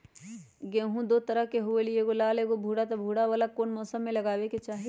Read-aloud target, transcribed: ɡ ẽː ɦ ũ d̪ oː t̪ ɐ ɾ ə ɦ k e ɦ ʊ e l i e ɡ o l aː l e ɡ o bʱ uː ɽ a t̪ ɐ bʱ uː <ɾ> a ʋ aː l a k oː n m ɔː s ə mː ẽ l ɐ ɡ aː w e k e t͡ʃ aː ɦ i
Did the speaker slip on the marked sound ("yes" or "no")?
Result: yes